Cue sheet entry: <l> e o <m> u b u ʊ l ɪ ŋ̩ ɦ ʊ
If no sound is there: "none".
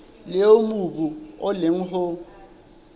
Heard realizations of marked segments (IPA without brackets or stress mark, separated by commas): l, m